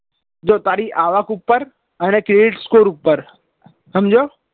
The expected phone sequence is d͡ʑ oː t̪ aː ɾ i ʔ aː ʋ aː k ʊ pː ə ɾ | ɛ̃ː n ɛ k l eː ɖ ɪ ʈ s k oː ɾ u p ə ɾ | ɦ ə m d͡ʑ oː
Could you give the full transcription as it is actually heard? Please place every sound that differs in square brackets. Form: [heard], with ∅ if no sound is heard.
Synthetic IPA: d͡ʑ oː t̪ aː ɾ i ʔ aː ʋ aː k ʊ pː ə ɾ | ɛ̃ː n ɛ k [ɾ] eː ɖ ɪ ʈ s k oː ɾ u p ə ɾ | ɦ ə m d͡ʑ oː